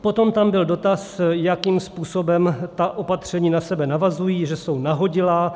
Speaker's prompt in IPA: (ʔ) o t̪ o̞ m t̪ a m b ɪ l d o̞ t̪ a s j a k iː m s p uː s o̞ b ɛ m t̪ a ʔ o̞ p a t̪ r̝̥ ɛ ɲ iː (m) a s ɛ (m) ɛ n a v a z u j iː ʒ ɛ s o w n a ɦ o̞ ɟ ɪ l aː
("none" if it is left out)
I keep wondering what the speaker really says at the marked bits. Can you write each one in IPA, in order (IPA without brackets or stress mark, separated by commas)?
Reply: p, n, b